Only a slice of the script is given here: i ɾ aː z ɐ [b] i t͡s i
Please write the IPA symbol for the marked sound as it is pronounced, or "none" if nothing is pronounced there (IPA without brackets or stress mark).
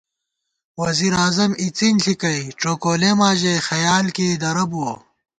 m